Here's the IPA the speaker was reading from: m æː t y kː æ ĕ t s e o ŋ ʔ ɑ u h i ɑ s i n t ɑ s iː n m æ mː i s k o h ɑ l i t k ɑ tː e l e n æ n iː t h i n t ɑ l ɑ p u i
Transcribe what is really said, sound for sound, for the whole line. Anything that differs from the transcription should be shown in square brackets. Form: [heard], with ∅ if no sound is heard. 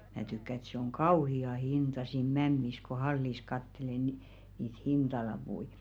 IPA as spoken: m æː t y kː æ ĕ t s e o ŋ [k] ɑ u h i ɑ [h] i n t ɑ s iː n m æ mː i s k o h ɑ [lː] i [s] k ɑ tː e l e n [i] n iː t h i n t ɑ l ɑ p u i